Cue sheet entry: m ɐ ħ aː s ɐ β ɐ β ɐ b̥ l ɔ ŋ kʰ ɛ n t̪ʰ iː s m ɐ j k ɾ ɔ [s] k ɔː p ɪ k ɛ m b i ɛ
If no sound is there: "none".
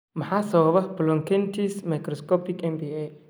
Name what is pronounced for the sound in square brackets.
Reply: s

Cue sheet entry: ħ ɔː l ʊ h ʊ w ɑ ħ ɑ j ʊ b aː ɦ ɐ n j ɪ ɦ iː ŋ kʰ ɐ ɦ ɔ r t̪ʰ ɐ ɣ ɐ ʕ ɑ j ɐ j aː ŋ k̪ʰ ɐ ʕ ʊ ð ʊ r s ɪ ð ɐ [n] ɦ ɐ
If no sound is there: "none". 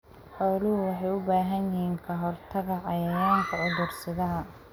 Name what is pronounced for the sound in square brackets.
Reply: none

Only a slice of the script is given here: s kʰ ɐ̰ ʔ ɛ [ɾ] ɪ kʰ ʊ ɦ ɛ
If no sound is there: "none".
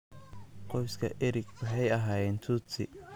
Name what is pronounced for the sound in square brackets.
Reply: ɾ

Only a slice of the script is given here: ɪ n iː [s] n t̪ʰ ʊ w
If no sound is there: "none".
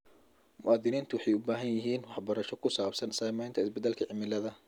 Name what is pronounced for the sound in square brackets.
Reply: none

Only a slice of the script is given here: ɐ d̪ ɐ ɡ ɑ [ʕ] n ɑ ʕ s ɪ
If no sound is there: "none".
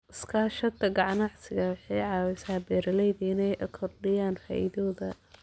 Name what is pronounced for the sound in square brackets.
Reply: ʕ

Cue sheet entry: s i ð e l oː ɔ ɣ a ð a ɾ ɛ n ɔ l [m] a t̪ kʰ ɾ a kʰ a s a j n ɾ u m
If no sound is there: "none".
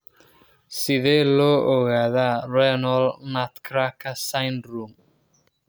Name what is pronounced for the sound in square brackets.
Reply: n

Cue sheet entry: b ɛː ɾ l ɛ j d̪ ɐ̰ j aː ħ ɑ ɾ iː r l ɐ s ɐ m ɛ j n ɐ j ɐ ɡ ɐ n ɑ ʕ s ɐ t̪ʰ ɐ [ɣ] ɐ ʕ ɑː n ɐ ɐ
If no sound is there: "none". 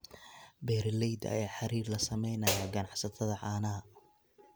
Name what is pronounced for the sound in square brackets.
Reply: ð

